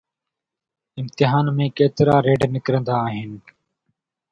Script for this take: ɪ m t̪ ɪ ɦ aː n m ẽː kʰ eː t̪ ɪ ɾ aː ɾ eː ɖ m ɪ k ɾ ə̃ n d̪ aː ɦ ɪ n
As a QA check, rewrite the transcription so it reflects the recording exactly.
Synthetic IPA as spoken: ɪ m t̪ ɪ ɦ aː n m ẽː k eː t̪ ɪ ɾ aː ɾ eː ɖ n ɪ k ɾ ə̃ n d̪ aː ɦ ɪ n

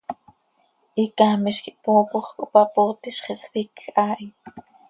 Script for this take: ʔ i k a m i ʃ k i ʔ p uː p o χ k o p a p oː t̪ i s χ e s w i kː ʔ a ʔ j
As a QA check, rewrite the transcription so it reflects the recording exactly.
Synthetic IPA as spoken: ʔ i k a m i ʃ k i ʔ p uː p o χ k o p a p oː t̪ i ʃ χ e s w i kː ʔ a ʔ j

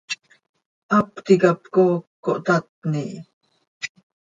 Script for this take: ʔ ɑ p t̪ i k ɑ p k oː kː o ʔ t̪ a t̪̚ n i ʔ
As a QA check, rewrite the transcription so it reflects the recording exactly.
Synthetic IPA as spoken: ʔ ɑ p t̪ i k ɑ p k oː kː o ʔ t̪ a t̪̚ n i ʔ

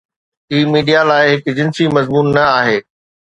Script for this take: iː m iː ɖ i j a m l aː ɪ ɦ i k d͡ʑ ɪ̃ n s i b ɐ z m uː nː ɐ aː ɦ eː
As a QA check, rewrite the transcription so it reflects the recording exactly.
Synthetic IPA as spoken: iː m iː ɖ i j a l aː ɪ ɦ ɪ k d͡ʑ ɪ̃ n s i m ɐ z m uː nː ɐ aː ɦ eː

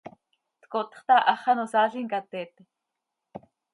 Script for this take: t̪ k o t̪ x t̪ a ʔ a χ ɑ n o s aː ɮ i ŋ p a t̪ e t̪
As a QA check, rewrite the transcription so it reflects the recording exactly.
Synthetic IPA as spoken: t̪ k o t̪ χ t̪ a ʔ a χ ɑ n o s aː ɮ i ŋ k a t̪ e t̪

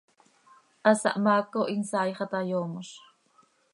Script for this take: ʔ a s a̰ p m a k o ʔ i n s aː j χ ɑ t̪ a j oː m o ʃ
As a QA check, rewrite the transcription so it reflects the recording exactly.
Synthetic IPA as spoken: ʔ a s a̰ ʔ m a k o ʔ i n s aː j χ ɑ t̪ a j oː m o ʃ

